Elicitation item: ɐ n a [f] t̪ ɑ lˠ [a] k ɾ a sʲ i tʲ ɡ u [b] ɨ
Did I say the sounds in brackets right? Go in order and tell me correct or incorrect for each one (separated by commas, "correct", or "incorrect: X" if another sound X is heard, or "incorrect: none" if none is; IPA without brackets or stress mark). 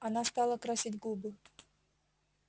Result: incorrect: s, incorrect: ə, correct